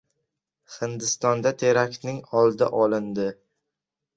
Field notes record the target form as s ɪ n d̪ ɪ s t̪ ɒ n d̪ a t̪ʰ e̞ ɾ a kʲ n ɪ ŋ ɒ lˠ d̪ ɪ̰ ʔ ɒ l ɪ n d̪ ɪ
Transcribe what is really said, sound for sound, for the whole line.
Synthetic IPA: h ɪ n d̪ ɪ s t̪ ɒ n d̪ a t̪ʰ e̞ ɾ a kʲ n ɪ ŋ ɒ lˠ d̪ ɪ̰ ʔ ɒ l ɪ n d̪ ɪ

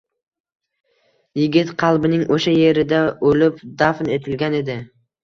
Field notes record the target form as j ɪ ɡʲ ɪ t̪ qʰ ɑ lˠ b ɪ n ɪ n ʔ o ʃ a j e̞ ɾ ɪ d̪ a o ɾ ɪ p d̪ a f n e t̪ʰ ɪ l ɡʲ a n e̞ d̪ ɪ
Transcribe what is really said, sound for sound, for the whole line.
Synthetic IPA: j ɪ ɡʲ ɪ t̪ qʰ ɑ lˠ b ɪ n ɪ ŋ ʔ o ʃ a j e̞ ɾ ɪ d̪ a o l ɪ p d̪ a f n e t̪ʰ ɪ l ɡʲ a n e̞ d̪ ɪ

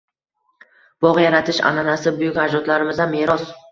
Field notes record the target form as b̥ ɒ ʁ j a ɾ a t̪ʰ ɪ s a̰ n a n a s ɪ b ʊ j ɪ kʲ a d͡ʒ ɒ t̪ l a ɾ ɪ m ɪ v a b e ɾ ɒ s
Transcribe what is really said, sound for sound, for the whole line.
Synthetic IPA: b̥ ɒ ʁ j a ɾ a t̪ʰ ɪ ʃ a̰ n a n a s ɪ b ʊ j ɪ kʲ a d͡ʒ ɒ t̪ l a ɾ ɪ m ɪ z a m e ɾ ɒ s

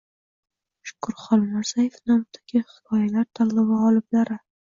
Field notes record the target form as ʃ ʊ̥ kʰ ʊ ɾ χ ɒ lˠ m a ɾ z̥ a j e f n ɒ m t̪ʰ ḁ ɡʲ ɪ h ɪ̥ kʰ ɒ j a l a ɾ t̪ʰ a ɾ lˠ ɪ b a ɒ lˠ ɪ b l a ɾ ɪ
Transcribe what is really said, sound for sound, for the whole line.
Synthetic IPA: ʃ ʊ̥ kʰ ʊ ɾ χ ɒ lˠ m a ɾ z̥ a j e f n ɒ m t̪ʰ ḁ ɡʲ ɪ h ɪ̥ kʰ ɒ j a l a ɾ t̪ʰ a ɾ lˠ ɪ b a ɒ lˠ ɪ b l a ɾ ɪ

